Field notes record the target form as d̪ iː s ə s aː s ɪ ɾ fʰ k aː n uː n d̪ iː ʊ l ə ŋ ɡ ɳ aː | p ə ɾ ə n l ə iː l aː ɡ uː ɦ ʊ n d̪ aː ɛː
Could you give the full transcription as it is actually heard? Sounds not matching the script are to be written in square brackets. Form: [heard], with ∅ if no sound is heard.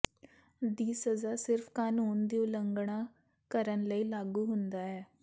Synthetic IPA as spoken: d̪ iː s ə [z] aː s ɪ ɾ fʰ k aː n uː n d̪ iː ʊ l ə ŋ ɡ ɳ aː | [k] ə ɾ ə n l ə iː l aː ɡ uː ɦ ʊ n d̪ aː ɛː